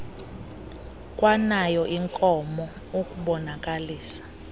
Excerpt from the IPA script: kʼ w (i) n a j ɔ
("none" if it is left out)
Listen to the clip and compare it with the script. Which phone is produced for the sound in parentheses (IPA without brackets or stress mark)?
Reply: a